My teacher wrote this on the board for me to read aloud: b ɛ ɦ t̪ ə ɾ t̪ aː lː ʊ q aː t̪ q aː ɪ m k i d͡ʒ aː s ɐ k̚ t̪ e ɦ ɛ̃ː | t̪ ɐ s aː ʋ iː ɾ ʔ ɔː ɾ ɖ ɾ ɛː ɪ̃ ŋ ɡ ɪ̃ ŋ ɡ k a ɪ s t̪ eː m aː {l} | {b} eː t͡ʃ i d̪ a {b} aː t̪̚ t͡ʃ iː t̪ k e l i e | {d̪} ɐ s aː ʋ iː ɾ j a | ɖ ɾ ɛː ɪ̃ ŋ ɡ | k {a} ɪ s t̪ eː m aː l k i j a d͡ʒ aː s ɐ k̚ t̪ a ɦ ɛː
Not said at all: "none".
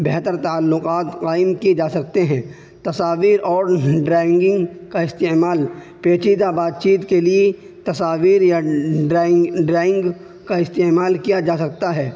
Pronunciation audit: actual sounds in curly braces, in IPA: l, p, b, t̪, a

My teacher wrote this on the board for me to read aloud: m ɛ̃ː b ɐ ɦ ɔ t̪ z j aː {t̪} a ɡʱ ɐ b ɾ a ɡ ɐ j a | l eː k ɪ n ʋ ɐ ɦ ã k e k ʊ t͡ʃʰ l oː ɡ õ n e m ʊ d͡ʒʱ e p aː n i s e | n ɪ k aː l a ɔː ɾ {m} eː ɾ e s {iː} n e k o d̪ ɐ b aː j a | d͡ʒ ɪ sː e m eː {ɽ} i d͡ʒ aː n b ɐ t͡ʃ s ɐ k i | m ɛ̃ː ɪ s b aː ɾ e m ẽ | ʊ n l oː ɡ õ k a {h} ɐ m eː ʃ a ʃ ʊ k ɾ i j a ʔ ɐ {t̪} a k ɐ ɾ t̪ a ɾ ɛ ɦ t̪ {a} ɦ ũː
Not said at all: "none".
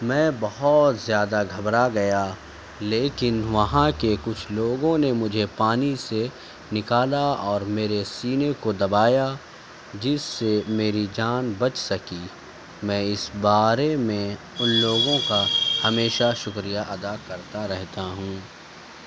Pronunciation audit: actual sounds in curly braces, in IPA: d̪, m, iː, ɾ, h, d̪, a

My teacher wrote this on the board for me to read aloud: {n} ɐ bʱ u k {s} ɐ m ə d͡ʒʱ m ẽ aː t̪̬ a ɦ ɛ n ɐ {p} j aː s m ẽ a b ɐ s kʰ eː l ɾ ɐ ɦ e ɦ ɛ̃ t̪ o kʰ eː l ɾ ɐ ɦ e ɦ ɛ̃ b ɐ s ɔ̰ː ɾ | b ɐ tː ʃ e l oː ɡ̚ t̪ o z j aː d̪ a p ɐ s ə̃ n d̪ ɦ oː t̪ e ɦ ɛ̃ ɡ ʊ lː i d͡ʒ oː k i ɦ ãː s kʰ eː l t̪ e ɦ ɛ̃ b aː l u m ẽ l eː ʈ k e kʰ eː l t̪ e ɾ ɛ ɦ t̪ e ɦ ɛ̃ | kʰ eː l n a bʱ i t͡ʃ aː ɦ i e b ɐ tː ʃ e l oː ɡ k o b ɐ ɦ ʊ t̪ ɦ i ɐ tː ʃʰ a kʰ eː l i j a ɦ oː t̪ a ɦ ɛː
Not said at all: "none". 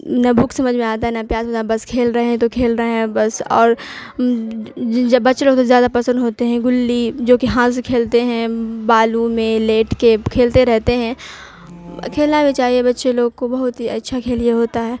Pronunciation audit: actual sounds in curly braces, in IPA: n, s, p

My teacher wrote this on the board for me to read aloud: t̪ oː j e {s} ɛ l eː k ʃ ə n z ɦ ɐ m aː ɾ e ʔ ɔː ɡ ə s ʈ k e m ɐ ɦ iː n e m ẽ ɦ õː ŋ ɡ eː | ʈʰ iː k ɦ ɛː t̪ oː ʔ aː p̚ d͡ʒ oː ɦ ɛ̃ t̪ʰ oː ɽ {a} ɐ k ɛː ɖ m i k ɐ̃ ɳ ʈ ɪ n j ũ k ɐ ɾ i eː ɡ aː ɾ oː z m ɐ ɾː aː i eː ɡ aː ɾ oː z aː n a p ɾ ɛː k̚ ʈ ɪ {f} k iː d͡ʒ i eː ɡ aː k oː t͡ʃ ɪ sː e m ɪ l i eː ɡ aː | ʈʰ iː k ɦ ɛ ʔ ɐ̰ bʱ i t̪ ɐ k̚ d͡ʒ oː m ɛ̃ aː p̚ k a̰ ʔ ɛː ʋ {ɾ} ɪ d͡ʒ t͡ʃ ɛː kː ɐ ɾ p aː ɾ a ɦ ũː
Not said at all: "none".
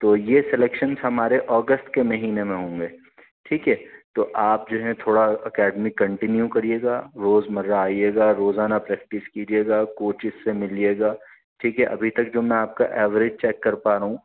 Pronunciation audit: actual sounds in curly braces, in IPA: s, a, s, ɾ

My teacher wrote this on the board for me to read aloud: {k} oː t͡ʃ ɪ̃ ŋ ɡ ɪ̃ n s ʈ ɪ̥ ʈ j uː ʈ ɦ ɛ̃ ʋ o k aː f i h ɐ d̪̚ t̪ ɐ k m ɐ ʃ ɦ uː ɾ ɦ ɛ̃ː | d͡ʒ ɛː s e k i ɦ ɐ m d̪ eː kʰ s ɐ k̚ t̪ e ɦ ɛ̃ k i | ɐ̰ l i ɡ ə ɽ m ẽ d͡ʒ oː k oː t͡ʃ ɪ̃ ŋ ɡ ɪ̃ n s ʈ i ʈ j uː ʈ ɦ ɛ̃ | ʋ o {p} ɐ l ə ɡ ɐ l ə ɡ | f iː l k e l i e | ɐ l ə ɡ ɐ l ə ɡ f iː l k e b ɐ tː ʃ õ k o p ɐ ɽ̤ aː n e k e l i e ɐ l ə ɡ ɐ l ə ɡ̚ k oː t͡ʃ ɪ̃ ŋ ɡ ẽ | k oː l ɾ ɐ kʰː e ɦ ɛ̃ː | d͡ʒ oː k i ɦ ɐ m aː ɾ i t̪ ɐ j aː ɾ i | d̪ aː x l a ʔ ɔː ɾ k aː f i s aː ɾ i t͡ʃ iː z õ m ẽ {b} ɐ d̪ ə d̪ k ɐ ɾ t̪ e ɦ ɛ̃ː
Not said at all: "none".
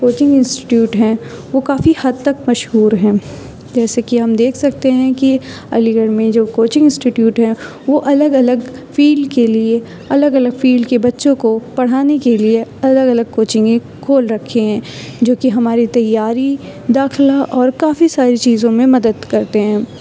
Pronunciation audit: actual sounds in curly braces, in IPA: k, ʔ, m

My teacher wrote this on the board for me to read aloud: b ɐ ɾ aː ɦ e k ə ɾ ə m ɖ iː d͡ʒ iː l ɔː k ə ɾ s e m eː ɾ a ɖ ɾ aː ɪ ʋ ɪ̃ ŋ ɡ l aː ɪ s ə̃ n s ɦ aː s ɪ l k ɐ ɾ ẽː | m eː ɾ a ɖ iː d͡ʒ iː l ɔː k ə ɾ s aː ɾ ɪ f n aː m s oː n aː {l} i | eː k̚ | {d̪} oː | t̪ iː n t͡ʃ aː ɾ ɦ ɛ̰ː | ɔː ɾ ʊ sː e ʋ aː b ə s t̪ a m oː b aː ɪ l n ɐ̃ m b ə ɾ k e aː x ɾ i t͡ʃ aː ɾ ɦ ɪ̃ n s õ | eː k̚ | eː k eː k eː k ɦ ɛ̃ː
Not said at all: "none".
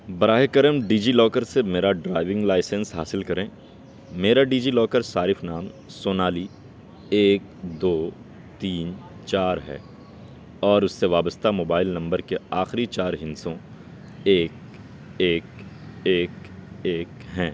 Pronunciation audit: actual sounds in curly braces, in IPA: l, d̪

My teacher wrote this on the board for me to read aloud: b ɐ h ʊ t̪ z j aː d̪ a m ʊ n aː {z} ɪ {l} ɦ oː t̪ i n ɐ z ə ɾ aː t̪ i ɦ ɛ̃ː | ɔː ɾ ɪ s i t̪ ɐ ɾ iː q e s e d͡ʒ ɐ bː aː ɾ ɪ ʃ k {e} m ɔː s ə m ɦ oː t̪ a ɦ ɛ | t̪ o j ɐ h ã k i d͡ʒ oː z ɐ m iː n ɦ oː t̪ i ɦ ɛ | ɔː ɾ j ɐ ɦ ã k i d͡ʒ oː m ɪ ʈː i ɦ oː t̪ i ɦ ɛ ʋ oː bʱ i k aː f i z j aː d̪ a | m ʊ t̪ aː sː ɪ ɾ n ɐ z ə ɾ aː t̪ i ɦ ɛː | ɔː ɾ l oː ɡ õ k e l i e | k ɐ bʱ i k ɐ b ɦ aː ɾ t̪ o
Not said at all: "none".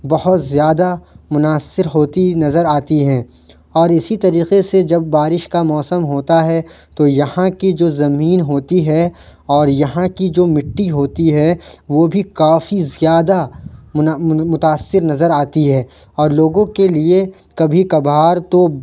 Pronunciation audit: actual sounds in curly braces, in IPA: s, ɾ, a

